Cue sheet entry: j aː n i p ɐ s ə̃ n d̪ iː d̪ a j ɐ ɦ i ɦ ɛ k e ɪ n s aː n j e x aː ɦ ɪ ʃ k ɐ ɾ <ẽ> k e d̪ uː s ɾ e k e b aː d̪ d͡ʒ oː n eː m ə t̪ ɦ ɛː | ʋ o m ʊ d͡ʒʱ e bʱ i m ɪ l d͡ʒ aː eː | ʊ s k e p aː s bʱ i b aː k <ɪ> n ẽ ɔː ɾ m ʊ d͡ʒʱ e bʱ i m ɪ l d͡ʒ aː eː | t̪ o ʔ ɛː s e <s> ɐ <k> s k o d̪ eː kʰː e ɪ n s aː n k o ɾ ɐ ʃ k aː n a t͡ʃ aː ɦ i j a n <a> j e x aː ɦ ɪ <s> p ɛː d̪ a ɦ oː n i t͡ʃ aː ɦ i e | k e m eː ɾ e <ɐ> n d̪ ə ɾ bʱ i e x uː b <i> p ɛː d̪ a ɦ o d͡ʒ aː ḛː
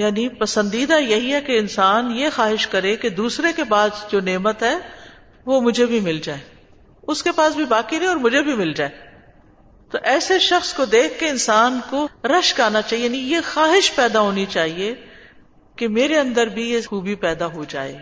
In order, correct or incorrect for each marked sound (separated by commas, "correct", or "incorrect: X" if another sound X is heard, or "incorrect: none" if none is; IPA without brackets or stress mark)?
incorrect: e, incorrect: i, incorrect: ʃ, incorrect: x, incorrect: i, incorrect: ʃ, incorrect: ɐ̃, correct